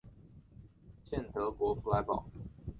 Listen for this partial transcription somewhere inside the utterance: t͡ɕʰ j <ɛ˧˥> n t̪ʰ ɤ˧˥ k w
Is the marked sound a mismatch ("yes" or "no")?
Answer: yes